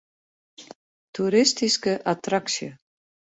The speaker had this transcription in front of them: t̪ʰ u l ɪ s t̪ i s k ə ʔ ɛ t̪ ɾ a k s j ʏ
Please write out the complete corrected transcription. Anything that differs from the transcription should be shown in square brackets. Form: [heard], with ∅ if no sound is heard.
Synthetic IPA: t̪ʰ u [ɾ] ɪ s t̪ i s k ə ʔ [a] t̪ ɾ a k s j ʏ

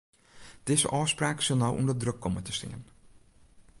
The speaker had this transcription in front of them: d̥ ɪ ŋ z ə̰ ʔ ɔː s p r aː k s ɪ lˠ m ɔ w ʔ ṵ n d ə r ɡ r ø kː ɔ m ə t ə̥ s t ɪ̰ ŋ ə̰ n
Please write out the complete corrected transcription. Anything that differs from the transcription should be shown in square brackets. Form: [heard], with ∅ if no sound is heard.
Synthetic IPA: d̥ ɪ [∅] z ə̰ ʔ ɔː s p r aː k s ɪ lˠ [n] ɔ w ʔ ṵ n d ə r [d] r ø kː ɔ m ə t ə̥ s t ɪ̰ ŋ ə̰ n

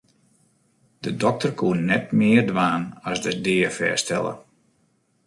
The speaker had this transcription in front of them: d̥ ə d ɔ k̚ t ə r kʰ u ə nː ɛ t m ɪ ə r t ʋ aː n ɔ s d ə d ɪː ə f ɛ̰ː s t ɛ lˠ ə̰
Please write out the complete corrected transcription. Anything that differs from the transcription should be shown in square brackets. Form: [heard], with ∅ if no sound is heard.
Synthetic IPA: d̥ ə d ɔ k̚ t ə r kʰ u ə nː ɛ t m ɪ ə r [d] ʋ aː n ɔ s d ə d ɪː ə f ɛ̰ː s t ɛ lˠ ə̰

